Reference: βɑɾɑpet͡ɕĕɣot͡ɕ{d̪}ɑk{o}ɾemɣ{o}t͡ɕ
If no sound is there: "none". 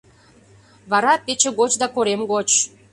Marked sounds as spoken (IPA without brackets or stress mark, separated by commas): d̪, o, o